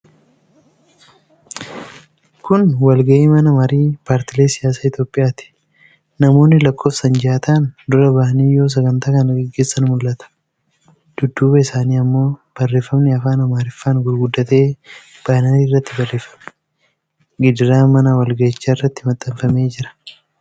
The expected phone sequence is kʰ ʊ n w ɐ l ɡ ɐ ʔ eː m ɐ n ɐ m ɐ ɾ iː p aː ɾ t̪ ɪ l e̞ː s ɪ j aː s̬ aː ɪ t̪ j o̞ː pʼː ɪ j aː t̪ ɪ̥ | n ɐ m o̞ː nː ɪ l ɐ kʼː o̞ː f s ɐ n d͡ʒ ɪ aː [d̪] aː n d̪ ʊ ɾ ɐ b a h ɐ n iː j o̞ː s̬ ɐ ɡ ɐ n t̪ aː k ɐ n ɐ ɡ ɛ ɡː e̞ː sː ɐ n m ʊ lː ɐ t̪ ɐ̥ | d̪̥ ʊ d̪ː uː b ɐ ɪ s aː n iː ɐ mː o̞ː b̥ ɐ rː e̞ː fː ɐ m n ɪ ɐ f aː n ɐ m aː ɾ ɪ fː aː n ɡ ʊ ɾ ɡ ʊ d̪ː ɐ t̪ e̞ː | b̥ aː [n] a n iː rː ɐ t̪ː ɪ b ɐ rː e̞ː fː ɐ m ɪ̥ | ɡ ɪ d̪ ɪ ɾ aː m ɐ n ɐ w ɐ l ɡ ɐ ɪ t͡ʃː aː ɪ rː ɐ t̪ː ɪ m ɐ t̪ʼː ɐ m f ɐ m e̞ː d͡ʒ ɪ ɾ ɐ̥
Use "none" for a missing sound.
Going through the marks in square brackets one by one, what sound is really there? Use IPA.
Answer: t̪, n

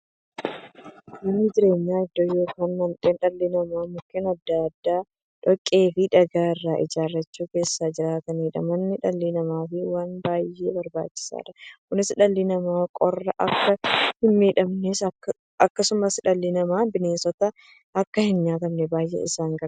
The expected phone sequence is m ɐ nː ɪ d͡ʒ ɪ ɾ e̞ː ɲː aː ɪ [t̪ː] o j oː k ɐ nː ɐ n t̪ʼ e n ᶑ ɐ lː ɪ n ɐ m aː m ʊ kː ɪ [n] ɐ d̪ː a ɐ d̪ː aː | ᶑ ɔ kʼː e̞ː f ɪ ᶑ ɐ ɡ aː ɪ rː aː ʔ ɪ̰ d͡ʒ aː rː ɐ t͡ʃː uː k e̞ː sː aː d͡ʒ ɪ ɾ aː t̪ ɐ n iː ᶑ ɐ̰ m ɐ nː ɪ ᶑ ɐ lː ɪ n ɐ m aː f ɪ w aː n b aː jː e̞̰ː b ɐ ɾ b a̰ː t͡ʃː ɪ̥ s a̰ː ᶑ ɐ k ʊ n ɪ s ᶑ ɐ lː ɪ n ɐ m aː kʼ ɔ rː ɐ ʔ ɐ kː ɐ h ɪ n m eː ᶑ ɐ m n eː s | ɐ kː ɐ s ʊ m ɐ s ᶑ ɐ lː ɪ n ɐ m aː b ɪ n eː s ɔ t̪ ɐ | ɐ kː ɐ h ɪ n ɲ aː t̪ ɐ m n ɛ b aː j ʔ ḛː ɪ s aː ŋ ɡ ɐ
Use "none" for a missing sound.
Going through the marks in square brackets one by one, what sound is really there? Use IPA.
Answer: d̪ː, n

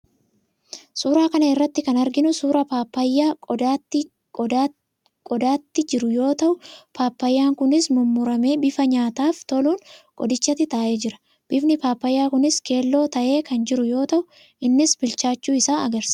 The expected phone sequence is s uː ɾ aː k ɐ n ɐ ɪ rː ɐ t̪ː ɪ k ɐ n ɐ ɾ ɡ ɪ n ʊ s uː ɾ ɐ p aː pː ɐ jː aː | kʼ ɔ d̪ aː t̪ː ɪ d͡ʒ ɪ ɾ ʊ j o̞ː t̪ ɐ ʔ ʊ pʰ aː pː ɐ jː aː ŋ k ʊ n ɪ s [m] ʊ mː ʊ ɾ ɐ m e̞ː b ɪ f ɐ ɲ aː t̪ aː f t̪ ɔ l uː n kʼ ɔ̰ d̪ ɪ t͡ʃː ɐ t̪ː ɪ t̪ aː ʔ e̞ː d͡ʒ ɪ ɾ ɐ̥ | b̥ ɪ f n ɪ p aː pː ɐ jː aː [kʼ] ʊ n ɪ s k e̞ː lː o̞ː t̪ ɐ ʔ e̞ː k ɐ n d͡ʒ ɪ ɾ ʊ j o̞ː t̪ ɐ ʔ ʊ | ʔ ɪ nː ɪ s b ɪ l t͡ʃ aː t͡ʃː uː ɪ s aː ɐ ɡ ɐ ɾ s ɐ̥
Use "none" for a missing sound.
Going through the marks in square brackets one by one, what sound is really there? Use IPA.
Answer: m, k

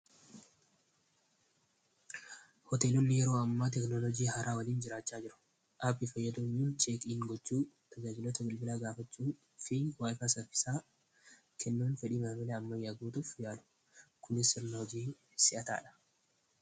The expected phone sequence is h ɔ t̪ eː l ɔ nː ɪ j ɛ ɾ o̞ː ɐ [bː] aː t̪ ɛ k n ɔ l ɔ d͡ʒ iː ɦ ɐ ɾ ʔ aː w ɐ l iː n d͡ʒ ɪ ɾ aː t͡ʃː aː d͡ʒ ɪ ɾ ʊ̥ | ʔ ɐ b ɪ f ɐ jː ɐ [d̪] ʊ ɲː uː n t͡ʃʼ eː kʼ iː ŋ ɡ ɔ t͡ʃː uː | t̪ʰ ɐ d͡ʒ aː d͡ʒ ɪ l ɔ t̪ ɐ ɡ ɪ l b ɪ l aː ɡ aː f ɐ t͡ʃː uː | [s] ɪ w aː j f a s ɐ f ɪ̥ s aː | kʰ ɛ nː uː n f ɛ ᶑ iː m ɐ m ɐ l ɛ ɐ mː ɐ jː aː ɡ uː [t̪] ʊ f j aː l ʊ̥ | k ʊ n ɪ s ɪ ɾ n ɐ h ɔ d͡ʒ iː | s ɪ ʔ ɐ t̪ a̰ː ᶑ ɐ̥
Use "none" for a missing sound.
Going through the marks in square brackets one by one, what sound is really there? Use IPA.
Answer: mː, d̪, f, t̪

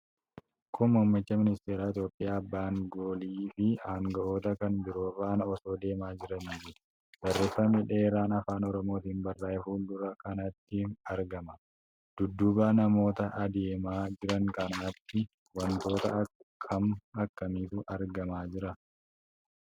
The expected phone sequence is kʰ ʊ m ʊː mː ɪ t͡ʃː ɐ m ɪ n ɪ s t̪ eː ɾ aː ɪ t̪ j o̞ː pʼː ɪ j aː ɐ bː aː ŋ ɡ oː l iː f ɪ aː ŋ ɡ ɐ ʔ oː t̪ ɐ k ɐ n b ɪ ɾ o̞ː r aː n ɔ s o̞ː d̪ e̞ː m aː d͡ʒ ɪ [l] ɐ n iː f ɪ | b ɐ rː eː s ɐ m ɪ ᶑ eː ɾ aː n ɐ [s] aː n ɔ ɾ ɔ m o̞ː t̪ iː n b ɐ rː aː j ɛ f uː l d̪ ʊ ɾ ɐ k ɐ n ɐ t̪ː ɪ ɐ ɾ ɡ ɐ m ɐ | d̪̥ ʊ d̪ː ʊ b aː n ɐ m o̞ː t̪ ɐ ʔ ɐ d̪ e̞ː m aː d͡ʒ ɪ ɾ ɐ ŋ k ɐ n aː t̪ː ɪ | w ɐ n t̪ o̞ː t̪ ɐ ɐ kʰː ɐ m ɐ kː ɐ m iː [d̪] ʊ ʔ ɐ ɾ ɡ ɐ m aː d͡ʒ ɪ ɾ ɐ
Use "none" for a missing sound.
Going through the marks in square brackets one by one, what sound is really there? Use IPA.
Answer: ɾ, f, t̪

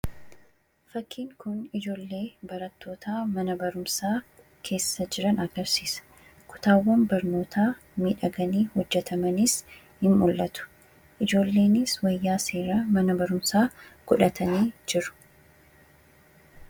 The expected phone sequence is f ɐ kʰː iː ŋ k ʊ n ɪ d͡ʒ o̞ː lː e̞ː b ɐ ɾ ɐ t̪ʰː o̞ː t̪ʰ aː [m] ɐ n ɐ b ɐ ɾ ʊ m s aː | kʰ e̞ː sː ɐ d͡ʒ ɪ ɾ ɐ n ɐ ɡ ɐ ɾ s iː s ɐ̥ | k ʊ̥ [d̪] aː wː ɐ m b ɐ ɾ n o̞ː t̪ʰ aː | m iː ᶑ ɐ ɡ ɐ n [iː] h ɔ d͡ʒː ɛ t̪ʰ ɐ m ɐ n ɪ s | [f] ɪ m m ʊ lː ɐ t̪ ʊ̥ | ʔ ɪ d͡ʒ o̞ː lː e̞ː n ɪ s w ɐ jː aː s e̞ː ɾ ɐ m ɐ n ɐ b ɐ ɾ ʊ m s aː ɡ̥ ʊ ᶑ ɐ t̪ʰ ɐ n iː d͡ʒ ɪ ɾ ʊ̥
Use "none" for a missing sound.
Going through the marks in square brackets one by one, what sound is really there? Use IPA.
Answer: m, t̪, iː, h

